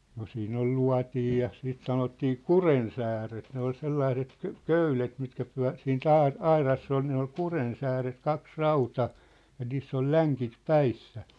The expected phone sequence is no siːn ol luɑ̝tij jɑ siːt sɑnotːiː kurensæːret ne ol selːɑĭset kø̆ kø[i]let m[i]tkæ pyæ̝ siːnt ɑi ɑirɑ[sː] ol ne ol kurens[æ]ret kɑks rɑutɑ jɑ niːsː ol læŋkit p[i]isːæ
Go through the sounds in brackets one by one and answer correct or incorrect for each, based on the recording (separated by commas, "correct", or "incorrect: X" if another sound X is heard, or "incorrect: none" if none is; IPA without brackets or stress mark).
incorrect: y, correct, correct, incorrect: æː, incorrect: æ